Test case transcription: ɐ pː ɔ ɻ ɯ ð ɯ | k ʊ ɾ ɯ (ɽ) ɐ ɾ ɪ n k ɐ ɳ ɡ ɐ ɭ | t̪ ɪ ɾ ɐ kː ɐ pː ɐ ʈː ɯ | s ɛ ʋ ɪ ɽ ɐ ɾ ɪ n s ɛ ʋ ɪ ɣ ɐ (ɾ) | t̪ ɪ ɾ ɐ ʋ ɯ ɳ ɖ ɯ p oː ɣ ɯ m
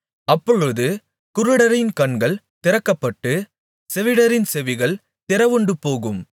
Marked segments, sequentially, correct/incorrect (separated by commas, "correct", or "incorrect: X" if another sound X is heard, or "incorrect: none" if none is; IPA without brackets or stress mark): correct, incorrect: ɭ